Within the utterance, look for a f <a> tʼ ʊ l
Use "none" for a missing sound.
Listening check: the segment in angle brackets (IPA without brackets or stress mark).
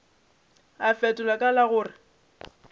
ɛ